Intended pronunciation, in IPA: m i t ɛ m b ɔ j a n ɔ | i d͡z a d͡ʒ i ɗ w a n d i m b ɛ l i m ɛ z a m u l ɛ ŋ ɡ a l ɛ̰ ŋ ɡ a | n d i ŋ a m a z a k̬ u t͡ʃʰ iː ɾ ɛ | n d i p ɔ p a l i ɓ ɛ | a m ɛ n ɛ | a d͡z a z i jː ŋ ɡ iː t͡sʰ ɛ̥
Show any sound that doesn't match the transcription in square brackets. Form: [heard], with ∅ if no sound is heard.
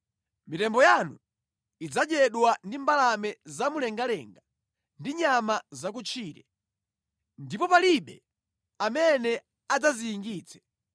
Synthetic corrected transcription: m i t ɛ m b ɔ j a n [u] | i d͡z a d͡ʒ [ɛ] ɗ w a n d i m b [a] l [a] m ɛ z a m u l ɛ ŋ ɡ a l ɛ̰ ŋ ɡ a | n d i [ɲ] a m a z a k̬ u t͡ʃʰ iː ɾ ɛ | n d i p ɔ p a l i ɓ ɛ | a m ɛ n ɛ | a d͡z a z i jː ŋ ɡ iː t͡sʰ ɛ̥